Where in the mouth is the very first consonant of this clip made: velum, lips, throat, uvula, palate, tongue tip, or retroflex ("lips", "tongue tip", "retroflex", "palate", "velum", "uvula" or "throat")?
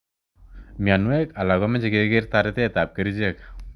lips